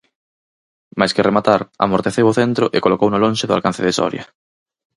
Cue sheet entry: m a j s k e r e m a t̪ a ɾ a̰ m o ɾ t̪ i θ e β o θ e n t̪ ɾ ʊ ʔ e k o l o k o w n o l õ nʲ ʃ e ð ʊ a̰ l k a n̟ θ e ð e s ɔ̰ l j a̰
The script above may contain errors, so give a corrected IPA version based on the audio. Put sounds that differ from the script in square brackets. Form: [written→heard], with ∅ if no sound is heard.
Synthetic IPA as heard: m a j s k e r e m a t̪ a ɾ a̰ m o ɾ t̪ [i→e] θ e [β→w] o θ e n t̪ ɾ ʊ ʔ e k o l o k o w n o l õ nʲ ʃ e ð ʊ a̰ l k a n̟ θ e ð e s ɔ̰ [l→ɾ] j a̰